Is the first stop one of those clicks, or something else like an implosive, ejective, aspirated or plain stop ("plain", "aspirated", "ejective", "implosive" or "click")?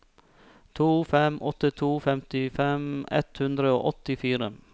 aspirated